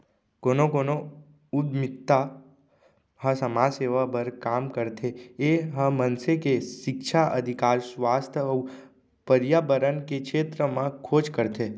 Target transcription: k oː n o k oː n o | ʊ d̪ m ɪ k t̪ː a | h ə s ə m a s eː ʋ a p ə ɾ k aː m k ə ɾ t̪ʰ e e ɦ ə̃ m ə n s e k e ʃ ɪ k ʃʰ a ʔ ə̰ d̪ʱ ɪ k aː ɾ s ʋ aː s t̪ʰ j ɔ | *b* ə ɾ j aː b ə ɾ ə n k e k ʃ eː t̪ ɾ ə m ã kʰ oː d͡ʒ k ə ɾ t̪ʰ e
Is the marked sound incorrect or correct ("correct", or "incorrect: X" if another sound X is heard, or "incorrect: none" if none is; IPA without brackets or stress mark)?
incorrect: p